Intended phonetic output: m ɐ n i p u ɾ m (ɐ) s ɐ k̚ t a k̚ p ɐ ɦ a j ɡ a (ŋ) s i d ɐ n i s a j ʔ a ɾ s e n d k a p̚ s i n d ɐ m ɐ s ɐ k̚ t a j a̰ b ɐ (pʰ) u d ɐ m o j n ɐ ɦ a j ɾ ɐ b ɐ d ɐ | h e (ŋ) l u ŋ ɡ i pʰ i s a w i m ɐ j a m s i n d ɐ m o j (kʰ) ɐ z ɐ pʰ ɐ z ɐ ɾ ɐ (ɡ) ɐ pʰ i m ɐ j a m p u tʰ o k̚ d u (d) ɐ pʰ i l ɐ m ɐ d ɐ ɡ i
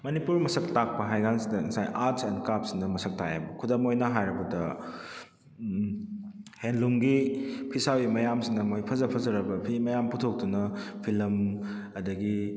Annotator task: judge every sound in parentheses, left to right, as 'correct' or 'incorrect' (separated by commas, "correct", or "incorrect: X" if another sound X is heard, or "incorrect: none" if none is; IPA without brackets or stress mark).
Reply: correct, incorrect: n, incorrect: kʰ, incorrect: n, incorrect: pʰ, incorrect: b, incorrect: n